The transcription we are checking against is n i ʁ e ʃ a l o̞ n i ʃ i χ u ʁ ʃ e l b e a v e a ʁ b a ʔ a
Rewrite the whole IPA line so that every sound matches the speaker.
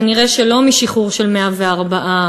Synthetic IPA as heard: n i ʁ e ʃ e l o̞ m i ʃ i χ u ʁ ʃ e l m e a v e a ʁ b a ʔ a